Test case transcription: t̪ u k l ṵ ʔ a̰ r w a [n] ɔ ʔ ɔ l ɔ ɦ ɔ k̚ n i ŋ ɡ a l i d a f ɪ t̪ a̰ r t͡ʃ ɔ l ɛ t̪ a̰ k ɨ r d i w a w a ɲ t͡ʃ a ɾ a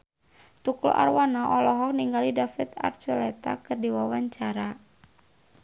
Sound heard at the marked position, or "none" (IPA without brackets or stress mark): n